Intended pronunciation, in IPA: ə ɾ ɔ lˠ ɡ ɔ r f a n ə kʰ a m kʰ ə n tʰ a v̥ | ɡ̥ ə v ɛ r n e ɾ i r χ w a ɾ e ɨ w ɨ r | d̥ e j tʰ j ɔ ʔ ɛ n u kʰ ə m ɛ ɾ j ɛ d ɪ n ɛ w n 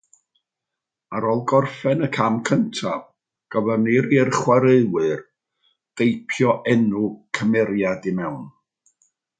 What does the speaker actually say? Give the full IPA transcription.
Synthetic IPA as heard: a ɾ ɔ lˠ ɡ ɔ r f ɛ n ə kʰ a m kʰ ə n tʰ a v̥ | ɡ̥ ə v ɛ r n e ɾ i r χ w a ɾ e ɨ w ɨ r | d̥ e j pʰ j ɔ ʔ ɛ n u kʰ ə m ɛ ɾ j a d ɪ m ɛ w n